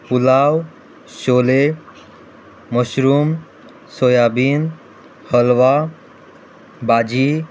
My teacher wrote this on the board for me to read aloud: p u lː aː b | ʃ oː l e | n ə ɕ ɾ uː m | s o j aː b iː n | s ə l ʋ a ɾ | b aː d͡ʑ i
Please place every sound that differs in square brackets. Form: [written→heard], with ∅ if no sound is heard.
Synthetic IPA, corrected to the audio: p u [lː→l] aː [b→w] | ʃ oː l e | [n→m] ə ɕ ɾ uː m | s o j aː b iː n | [s→h] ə l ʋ a [ɾ→∅] | b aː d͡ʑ i

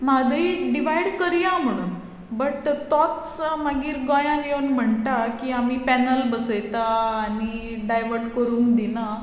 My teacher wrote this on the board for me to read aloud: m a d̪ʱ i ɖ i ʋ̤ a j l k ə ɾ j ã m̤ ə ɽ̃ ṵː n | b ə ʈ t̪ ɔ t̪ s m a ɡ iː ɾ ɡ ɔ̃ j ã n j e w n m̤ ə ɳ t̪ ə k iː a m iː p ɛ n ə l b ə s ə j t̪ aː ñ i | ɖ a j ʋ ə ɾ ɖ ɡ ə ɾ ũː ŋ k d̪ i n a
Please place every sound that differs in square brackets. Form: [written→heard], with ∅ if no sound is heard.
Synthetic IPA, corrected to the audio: m a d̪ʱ i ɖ i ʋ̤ a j [l→ɽ] k ə ɾ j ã m̤ ə ɽ̃ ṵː n | b ə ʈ t̪ ɔ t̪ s m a ɡ iː ɾ ɡ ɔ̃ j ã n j e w n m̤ ə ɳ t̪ [ə→a] k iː a m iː p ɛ n ə l b ə s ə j t̪ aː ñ i | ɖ a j ʋ ə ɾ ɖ [ɡ→k] ə ɾ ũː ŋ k d̪ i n a

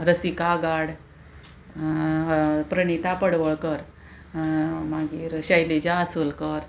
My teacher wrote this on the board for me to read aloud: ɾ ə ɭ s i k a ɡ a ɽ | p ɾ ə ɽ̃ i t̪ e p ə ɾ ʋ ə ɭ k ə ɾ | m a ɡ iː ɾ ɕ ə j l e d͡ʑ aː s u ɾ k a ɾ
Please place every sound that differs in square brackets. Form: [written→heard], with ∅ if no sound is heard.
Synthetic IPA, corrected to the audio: ɾ ə [ɭ→∅] s i k a ɡ a ɽ | p ɾ ə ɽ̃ i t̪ [e→a] p ə [ɾ→ɽ] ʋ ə ɭ k ə ɾ | m a ɡ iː ɾ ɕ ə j l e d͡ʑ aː s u [ɾ→l] k [a→ə] ɾ

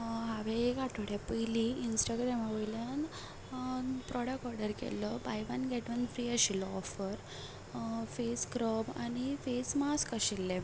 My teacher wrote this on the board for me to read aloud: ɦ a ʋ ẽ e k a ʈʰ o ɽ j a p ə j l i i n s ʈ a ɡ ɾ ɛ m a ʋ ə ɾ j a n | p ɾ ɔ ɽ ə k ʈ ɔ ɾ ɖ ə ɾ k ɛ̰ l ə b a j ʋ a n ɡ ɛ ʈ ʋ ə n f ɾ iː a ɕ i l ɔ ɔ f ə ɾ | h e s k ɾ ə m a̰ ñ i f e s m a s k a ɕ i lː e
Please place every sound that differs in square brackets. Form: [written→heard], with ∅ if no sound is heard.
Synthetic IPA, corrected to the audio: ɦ a ʋ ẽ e k a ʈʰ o ɽ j a p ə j l i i n s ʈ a ɡ ɾ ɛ m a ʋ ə [ɾ→l] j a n | p ɾ ɔ ɽ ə k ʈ ɔ ɾ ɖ ə ɾ k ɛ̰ l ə b a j ʋ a n ɡ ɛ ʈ ʋ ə n f ɾ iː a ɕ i l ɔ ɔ f ə ɾ | [h→f] e s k ɾ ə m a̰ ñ i f e s m a s k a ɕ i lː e

